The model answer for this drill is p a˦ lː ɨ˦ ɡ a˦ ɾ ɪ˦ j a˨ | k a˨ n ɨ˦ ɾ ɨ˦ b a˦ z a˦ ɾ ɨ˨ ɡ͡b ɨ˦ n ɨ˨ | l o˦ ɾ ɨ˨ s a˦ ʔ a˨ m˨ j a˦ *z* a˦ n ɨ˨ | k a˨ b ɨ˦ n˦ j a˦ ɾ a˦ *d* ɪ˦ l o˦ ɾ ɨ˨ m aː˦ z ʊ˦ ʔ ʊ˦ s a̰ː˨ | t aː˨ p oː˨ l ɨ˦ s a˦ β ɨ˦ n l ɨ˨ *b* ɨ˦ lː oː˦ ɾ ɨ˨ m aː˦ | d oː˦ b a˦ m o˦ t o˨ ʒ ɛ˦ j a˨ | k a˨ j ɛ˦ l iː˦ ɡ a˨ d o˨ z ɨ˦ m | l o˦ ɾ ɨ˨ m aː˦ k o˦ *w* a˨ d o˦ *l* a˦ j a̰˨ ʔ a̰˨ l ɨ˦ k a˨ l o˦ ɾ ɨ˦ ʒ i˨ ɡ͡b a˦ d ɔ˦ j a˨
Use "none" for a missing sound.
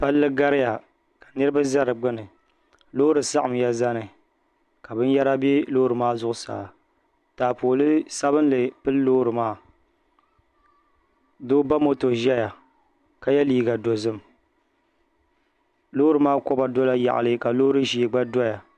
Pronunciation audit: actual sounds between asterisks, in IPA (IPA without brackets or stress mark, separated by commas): z, b, p, b, l